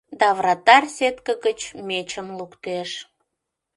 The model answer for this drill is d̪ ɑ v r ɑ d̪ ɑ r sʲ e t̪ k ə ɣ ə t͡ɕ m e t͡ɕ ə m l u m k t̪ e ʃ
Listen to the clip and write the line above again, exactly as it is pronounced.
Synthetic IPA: d̪ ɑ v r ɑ t̪ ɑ r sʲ e t̪ k ə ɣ ə t͡ɕ m e t͡ɕ ə m l u k t̪ e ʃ